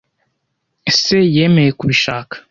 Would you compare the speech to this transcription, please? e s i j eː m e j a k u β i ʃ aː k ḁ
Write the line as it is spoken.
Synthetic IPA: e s e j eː m e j e k u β i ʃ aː k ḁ